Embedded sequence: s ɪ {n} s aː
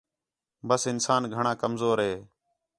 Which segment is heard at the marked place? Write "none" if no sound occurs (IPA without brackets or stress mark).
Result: n